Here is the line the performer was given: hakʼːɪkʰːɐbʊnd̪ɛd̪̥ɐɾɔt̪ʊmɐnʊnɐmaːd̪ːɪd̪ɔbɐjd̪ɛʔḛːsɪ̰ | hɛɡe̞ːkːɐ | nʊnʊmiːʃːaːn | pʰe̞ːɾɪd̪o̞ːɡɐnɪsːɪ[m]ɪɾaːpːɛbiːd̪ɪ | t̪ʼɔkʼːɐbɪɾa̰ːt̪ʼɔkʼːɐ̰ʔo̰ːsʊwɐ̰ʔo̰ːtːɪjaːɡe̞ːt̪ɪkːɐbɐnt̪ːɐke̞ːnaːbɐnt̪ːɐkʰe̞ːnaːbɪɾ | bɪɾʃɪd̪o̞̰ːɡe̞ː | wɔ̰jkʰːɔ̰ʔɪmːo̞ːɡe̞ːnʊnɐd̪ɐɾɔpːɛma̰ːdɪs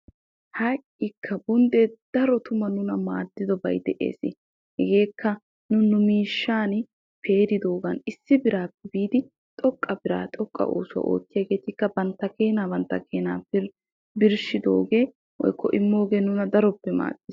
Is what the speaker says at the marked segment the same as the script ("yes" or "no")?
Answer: no